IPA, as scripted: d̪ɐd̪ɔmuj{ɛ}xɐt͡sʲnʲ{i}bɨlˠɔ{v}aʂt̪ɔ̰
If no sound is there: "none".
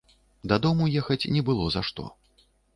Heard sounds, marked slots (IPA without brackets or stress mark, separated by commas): ɛ, ɛ, z